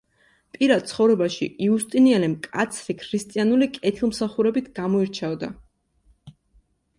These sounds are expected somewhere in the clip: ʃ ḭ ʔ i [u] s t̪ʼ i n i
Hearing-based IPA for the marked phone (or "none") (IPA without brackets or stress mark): u